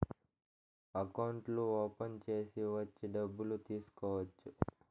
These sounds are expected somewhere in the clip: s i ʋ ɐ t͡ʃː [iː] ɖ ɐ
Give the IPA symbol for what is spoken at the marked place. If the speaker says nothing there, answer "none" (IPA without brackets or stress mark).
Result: i